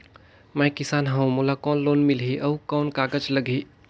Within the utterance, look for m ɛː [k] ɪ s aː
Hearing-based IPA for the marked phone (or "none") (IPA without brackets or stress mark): k